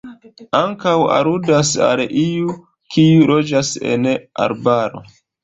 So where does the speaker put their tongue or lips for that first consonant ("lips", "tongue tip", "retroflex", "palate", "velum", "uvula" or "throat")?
velum